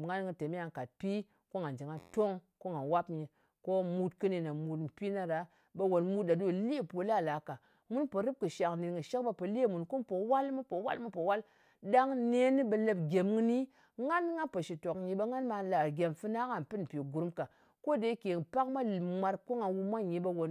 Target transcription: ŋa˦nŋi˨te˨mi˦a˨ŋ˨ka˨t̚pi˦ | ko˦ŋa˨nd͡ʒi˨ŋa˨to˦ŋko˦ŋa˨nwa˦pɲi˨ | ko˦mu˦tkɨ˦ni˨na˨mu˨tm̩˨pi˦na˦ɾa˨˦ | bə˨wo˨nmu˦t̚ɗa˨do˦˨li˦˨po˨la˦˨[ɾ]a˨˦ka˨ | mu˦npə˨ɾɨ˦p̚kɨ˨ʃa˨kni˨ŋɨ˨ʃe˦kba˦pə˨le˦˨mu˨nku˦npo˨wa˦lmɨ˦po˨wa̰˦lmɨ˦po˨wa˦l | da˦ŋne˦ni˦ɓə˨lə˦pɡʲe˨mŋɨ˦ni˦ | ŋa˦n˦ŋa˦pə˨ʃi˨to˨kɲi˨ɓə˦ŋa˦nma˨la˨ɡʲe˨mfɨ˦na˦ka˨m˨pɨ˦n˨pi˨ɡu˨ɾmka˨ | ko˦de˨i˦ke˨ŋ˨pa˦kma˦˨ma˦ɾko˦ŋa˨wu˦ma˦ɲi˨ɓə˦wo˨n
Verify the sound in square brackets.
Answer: incorrect: l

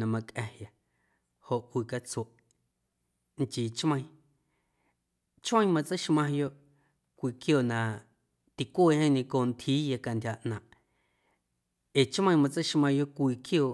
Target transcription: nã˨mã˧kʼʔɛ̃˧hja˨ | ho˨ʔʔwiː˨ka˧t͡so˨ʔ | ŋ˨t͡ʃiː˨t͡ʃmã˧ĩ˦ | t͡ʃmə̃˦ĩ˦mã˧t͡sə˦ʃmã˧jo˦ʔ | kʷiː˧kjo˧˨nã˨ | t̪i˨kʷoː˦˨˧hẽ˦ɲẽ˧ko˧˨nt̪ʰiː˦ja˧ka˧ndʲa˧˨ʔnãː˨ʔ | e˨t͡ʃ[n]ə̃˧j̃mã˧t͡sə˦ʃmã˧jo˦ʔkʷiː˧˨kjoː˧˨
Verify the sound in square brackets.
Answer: incorrect: m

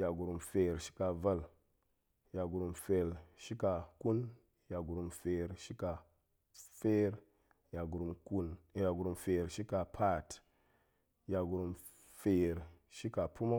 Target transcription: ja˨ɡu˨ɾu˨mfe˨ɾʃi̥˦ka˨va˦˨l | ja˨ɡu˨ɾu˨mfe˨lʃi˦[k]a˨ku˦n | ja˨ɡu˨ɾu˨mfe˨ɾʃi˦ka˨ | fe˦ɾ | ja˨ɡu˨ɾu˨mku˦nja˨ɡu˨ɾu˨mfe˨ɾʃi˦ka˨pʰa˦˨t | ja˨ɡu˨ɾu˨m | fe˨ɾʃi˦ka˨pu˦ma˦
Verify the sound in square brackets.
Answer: correct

